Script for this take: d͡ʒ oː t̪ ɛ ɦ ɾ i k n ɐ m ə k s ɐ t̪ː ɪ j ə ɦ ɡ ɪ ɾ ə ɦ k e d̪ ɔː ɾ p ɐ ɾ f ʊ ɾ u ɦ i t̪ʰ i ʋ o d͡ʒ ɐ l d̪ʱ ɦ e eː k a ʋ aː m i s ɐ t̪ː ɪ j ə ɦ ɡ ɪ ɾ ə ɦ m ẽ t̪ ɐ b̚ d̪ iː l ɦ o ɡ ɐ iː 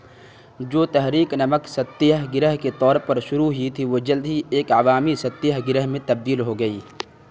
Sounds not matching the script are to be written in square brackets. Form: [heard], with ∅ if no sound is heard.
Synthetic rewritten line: d͡ʒ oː t̪ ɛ ɦ ɾ [iː] k n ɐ m ə k s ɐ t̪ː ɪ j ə ɦ ɡ ɪ ɾ ə ɦ k e [t̪] ɔː ɾ p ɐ ɾ [ʃ] ʊ ɾ u ɦ i t̪ʰ i ʋ o d͡ʒ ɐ l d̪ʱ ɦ [i] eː k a ʋ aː m i s ɐ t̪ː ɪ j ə ɦ ɡ ɪ ɾ ə ɦ m ẽ t̪ ɐ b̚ d̪ iː l ɦ o ɡ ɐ iː